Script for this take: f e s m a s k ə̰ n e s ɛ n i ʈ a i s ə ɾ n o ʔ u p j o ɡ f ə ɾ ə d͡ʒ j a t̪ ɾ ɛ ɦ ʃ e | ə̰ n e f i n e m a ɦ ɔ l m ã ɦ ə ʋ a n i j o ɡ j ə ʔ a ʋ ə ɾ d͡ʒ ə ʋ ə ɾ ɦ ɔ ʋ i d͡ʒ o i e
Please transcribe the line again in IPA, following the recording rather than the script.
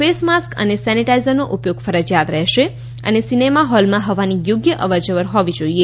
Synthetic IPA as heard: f e s m a s k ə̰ n e s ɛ n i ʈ a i z ə ɾ n o ʔ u p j o ɡ f ə ɾ ə d͡ʒ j a t̪ ɾ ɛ ɦ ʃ e | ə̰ n e s i n e m a ɦ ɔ l m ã ɦ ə ʋ a n i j o ɡ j ə ʔ ə ʋ ə ɾ d͡ʒ ə ʋ ə ɾ ɦ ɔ ʋ i d͡ʒ o i e